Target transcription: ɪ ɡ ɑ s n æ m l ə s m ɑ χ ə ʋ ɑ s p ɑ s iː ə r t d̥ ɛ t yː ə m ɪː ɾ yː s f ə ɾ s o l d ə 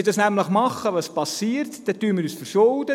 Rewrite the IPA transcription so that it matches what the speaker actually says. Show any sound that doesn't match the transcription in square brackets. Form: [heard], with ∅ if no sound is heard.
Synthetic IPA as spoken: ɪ [d] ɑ s n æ m l ə [χ] m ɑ χ ə ʋ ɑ s p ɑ s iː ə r t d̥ ɛ t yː ə m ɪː ɾ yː s f ə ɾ [ʃ] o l d ə